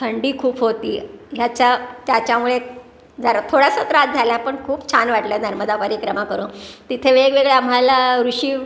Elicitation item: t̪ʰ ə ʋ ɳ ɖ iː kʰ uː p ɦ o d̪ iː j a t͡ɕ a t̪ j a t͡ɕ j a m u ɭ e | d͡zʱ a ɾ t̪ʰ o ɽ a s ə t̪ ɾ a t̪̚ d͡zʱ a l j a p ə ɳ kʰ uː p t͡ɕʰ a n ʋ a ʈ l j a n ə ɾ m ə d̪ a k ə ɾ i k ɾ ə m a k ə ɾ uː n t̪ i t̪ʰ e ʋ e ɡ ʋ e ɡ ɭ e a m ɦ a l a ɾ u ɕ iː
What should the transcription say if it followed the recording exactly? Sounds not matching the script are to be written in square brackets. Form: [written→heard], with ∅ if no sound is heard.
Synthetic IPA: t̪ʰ ə [ʋ→∅] ɳ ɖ iː kʰ uː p ɦ o [d̪→t̪] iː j a t͡ɕ a t̪ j a t͡ɕ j a m u ɭ e | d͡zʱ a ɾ t̪ʰ o ɽ a s ə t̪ ɾ a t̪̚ d͡zʱ a l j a p ə ɳ kʰ uː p t͡ɕʰ a n ʋ a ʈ l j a n ə ɾ m ə d̪ a [k→p] ə ɾ i k ɾ ə m a k ə ɾ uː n t̪ i t̪ʰ e ʋ e ɡ ʋ e ɡ ɭ e a m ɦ a l a ɾ u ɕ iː

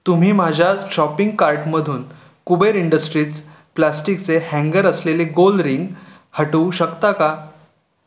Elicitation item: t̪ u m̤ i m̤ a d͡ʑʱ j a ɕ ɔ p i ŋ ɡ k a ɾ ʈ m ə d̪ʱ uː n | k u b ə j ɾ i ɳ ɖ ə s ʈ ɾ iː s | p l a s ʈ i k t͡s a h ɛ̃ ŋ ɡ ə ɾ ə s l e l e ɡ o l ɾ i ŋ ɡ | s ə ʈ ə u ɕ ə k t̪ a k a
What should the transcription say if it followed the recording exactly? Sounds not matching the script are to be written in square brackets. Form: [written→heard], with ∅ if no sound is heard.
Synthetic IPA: t̪ u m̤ [i→iː] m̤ a d͡ʑʱ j a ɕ ɔ p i ŋ ɡ k a ɾ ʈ m ə d̪ʱ uː n | k u b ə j ɾ i ɳ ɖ ə s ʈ ɾ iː [s→t͡s] | p l a s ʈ i k t͡s [a→e] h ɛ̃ ŋ ɡ ə ɾ ə s l e l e ɡ o l ɾ i ŋ ɡ | [s→h] ə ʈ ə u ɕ ə k t̪ a k a

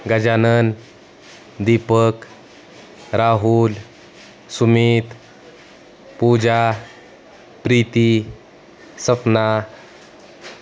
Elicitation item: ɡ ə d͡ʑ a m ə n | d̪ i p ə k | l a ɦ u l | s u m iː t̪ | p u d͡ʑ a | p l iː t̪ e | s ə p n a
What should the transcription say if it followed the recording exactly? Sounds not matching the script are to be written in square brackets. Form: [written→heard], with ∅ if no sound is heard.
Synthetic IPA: ɡ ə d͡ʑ a [m→n] ə n | d̪ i p ə k | [l→ɾ] a ɦ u l | s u m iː t̪ | p u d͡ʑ a | p [l→ɾ] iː t̪ [e→i] | s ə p n a

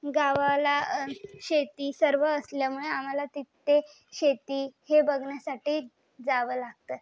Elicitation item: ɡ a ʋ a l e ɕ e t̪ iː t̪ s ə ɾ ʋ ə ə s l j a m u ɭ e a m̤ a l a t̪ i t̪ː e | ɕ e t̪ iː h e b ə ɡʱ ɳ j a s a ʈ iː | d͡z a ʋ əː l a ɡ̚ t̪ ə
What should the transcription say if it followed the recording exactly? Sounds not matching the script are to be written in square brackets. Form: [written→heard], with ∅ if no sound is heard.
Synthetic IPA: ɡ a ʋ a l [e→a] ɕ e t̪ iː [t̪→∅] s ə ɾ ʋ ə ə s l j a m u ɭ e a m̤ a l a t̪ i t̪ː e | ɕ e t̪ iː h e b ə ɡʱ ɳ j a s a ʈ iː | d͡z a ʋ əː l a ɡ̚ t̪ ə

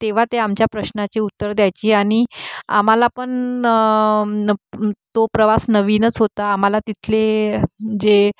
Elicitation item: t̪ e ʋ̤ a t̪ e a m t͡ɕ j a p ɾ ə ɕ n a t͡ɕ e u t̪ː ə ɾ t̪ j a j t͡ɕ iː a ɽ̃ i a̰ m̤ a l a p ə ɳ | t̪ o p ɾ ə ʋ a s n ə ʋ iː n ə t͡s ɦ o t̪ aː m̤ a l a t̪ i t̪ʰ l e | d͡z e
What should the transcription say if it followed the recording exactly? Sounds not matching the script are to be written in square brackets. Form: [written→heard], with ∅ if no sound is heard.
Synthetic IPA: t̪ e ʋ̤ a t̪ e a m t͡ɕ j a p ɾ ə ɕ n a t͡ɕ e u t̪ː ə ɾ [t̪→d̪] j a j t͡ɕ iː a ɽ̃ i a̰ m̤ a l a p ə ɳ | t̪ o p ɾ ə ʋ a s n ə ʋ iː n ə t͡s ɦ o t̪ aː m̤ a l a t̪ i t̪ʰ l e | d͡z e

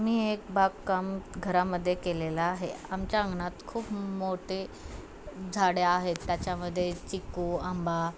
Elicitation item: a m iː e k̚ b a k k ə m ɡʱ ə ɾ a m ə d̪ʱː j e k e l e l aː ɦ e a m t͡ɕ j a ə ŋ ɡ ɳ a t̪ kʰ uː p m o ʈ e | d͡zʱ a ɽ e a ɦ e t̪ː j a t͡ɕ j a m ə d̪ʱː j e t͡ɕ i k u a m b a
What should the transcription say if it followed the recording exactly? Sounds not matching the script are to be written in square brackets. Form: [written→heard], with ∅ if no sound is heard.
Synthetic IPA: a m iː e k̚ b a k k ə m ɡʱ ə ɾ a m ə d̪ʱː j e k e l e l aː ɦ e a m t͡ɕ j a ə ŋ ɡ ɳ a t̪ kʰ uː p m o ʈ e | d͡zʱ a ɽ e a ɦ e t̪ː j a t͡ɕ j a m ə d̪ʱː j e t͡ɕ i k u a m b a

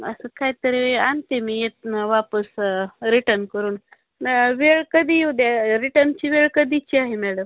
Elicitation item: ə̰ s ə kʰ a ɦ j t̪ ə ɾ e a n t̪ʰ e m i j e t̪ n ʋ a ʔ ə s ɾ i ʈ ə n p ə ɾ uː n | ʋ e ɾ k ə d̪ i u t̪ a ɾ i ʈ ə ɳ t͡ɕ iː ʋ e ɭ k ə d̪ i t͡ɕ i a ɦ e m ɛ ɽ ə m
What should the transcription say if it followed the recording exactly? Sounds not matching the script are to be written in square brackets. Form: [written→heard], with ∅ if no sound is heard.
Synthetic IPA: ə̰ s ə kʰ a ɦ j t̪ ə ɾ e a n [t̪ʰ→t̪] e m i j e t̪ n ʋ a [ʔ→p] ə s ɾ i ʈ ə n [p→k] ə ɾ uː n | ʋ e [ɾ→ɭ] k ə d̪ i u [t̪→d̪] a ɾ i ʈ ə [ɳ→n] t͡ɕ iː ʋ e ɭ k ə d̪ i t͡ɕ i a ɦ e m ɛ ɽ ə m

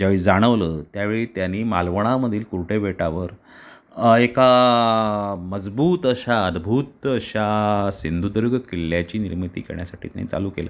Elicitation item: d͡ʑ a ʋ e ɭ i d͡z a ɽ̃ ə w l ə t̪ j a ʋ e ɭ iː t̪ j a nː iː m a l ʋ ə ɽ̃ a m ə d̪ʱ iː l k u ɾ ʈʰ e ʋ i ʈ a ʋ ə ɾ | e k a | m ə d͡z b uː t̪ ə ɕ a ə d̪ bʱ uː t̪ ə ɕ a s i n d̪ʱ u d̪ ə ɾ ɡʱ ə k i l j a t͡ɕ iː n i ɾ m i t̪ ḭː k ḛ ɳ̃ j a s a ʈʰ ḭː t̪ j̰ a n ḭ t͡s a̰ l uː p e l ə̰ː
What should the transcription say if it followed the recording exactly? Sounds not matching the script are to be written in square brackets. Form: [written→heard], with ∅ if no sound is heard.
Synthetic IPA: d͡ʑ a ʋ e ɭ i d͡z a ɽ̃ ə [w→ʋ] l ə t̪ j a ʋ e ɭ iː t̪ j a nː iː m a l ʋ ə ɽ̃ a m ə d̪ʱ iː l k u ɾ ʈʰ e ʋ [i→e] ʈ a ʋ ə ɾ | e k a | m ə d͡z b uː t̪ ə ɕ a ə d̪ bʱ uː t̪ ə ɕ a s i n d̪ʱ u d̪ ə ɾ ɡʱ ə k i l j a t͡ɕ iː n i ɾ m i t̪ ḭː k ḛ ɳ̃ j a s a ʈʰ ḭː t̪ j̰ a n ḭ t͡s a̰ l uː [p→k] e l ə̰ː

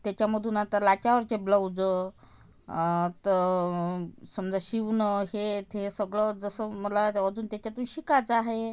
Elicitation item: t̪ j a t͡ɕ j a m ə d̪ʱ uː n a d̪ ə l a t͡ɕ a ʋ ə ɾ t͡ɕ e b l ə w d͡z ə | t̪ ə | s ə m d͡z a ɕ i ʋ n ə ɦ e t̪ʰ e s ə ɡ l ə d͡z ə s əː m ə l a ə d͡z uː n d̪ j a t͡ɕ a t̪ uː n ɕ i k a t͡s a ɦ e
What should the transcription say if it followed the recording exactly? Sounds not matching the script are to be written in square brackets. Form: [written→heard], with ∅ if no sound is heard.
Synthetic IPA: t̪ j a t͡ɕ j a m ə d̪ʱ uː n a [d̪→t̪] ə l a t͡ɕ a ʋ ə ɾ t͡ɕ e b l ə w d͡z ə | t̪ ə | s ə m d͡z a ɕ i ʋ n ə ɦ e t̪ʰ e s ə ɡ [l→ɭ] ə d͡z ə s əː m ə l a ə d͡z uː n [d̪→t̪] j a t͡ɕ a t̪ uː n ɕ i k a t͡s a ɦ e

